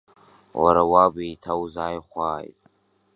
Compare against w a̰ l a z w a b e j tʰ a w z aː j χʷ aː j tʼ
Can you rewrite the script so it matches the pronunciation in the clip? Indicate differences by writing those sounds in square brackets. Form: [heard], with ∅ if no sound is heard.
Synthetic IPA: w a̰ [ɾ] a [∅] w a b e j tʰ a w z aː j χʷ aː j tʼ